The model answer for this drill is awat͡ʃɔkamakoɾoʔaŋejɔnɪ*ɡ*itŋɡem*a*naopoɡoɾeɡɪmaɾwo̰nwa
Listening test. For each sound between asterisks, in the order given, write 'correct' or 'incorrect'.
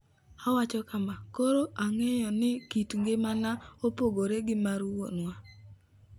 incorrect: k, correct

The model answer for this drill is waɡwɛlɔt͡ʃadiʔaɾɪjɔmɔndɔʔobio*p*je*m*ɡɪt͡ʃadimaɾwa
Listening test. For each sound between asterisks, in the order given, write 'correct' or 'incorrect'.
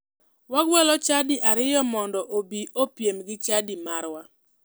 correct, correct

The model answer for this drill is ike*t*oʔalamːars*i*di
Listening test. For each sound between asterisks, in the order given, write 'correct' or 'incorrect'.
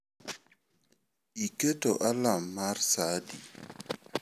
correct, incorrect: a

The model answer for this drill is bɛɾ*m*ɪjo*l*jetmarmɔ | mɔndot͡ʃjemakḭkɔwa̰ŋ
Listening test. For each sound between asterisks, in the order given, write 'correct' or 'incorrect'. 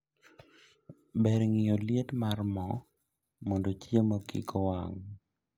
incorrect: ŋ, correct

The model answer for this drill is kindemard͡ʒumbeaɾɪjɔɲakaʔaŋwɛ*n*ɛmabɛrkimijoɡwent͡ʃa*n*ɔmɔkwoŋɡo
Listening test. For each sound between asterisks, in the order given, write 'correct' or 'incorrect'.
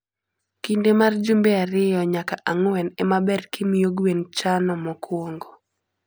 correct, correct

